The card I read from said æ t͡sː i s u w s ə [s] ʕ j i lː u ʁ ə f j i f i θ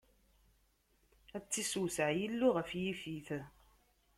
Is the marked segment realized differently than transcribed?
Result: yes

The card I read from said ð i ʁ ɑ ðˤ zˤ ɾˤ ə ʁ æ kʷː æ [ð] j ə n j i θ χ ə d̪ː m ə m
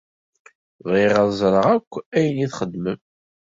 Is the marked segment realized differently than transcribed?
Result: yes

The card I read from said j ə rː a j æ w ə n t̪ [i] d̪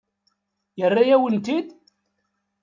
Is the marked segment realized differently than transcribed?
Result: no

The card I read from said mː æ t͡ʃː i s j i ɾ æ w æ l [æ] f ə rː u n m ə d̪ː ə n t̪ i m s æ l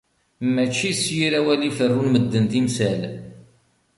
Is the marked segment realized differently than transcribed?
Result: yes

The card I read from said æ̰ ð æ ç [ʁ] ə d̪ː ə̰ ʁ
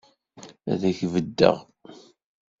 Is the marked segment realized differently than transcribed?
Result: yes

